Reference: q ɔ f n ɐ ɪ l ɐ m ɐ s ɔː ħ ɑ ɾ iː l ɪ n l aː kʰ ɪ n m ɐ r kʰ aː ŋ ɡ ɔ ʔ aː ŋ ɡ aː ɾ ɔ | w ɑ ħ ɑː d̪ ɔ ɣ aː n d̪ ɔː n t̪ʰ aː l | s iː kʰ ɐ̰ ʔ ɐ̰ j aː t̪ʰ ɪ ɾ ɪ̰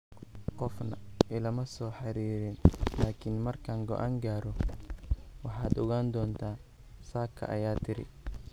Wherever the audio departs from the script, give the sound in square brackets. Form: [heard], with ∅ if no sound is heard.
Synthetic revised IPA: q ɔ f n ɐ ɪ l ɐ m ɐ s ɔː ħ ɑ ɾ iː [ɾ] ɪ n l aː kʰ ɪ n m ɐ r kʰ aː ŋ ɡ ɔ ʔ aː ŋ ɡ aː ɾ ɔ | w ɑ ħ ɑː d̪ ɔ ɣ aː n d̪ ɔː n t̪ʰ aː [∅] | s [aː] kʰ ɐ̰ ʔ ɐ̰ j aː t̪ʰ ɪ ɾ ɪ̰